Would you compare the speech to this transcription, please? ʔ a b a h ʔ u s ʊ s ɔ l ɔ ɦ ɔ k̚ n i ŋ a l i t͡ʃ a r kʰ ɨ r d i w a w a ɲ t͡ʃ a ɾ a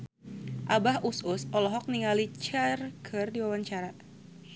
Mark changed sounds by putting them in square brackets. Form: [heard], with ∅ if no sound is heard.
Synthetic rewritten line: ʔ a b a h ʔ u s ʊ s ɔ l ɔ ɦ ɔ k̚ n i ŋ a l i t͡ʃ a r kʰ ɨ r d i w a w a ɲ t͡ʃ a ɾ a